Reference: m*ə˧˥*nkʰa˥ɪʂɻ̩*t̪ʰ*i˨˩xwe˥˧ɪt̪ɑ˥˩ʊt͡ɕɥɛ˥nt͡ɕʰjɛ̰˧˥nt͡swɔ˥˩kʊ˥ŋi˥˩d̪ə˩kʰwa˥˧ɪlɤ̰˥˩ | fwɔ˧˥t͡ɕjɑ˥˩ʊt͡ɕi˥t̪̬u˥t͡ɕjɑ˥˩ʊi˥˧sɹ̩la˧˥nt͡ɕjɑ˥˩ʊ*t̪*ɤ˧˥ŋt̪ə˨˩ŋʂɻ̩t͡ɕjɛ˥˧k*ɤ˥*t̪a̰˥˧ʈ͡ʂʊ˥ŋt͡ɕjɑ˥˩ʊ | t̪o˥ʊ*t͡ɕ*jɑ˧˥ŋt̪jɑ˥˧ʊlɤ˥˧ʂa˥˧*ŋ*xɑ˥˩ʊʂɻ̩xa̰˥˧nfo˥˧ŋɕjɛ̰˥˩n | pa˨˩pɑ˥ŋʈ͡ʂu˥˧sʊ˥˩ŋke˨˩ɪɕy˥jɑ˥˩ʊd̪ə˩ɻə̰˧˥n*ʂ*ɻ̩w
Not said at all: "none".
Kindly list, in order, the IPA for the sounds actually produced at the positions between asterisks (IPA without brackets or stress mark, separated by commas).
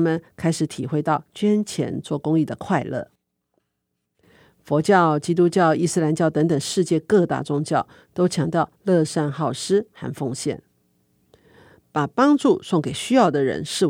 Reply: ə˨, t̪ʰ, t̪, ɤ˥˧, t͡ɕʰ, n, ʂ